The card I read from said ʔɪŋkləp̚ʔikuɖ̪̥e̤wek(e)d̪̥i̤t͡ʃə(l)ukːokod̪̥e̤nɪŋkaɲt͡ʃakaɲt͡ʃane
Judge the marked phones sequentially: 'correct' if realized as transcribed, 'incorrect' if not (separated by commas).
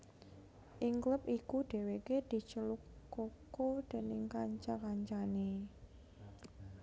correct, correct